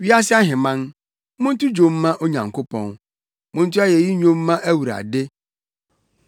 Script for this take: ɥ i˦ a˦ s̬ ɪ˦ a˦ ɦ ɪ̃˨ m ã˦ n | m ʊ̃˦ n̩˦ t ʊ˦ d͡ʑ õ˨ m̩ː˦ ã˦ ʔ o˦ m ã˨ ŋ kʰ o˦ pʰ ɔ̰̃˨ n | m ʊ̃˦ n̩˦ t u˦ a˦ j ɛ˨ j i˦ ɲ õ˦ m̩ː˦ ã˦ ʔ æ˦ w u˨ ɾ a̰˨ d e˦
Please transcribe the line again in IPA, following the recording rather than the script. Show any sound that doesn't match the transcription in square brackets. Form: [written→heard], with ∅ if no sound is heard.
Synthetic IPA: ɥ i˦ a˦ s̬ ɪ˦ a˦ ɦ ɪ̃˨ m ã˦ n | m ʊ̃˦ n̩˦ t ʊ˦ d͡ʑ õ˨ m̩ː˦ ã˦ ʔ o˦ [m→ɲ] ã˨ ŋ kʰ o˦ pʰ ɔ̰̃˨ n | m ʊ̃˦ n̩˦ t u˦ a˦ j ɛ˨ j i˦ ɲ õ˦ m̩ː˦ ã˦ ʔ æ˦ w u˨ ɾ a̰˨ d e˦